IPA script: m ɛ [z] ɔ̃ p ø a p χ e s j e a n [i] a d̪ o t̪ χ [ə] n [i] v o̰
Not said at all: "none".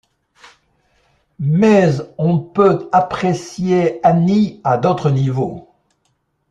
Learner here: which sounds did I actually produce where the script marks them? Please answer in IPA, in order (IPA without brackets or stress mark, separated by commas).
z, i, ə, i